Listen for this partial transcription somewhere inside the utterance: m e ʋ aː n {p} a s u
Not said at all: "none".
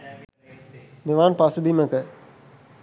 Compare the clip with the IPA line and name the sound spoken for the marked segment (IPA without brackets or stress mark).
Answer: p